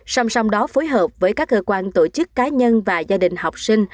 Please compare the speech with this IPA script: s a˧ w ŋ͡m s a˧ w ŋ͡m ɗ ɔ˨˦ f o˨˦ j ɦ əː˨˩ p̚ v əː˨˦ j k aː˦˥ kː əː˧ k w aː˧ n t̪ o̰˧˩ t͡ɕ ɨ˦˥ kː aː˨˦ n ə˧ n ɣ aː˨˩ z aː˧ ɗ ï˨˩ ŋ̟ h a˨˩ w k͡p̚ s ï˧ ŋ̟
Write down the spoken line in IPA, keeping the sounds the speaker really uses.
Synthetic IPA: s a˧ w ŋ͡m s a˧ w ŋ͡m ɗ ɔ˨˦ f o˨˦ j ɦ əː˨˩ p̚ v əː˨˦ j k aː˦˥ kː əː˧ k w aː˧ n t̪ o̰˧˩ t͡ɕ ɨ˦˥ kː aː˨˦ ɲ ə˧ n v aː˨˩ z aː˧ ɗ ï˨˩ ŋ̟ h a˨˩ w k͡p̚ s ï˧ ŋ̟

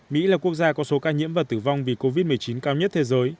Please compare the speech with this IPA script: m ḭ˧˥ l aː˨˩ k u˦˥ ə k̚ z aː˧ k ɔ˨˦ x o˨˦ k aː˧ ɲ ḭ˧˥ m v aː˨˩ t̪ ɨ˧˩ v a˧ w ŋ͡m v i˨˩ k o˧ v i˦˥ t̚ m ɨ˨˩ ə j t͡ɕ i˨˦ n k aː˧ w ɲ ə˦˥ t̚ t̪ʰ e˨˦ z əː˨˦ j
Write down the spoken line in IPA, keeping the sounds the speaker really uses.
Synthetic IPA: m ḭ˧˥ l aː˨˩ k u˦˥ ə k̚ z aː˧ k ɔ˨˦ s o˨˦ k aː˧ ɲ ḭ˧˥ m v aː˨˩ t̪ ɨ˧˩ v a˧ w ŋ͡m v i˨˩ k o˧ v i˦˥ t̚ m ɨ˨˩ ə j t͡ɕ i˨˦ n k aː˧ w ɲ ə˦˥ t̚ t̪ʰ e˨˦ z əː˨˦ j

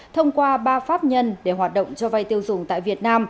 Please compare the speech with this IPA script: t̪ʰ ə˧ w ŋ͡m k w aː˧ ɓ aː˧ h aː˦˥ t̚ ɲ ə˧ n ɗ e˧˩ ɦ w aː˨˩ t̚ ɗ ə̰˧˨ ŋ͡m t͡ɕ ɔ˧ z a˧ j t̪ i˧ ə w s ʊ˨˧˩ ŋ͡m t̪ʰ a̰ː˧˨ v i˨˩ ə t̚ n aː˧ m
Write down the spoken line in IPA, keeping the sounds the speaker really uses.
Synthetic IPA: t̪ʰ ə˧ w ŋ͡m k w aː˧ ɓ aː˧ f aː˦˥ p̚ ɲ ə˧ n ɗ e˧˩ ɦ w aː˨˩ t̚ ɗ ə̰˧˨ ŋ͡m t͡ɕ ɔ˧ v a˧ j t̪ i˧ ə w z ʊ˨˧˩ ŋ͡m t̪ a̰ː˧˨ v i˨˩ ə t̚ n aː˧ m

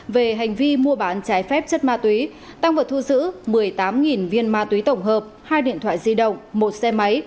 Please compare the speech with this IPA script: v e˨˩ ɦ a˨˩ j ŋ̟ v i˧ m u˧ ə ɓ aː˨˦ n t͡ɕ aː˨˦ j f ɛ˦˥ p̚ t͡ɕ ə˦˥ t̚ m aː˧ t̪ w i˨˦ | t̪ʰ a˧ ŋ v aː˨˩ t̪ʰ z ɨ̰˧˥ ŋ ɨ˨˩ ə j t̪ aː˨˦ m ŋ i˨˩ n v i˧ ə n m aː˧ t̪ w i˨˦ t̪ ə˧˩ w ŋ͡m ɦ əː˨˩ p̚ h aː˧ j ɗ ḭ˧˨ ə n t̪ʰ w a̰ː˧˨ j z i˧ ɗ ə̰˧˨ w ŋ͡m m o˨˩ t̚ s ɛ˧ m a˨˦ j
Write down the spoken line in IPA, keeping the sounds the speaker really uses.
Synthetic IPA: v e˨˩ ɦ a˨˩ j ŋ̟ v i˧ m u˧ ə ɓ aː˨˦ n t͡ɕ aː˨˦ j f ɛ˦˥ p̚ t͡ɕ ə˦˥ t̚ m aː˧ t̪ w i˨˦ | t̪ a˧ ŋ v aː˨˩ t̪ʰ z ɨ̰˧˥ m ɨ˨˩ ə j t̪ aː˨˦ m ŋ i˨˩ n v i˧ ə n m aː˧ t̪ w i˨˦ t̪ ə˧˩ w ŋ͡m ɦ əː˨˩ p̚ h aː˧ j ɗ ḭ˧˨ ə n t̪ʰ w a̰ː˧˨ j z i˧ ɗ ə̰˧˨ w ŋ͡m m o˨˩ t̚ s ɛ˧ m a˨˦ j

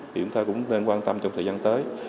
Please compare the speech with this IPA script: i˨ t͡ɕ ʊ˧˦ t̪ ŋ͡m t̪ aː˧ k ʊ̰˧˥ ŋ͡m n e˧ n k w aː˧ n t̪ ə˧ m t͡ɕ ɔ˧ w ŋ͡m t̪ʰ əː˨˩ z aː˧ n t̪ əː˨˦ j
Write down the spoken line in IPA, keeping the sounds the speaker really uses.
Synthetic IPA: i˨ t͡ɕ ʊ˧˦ ŋ͡m t̪ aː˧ k ʊ̰˧˥ ŋ͡m n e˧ n k w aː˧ n t̪ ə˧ m t͡ɕ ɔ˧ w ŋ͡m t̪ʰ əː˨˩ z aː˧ n t̪ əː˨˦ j

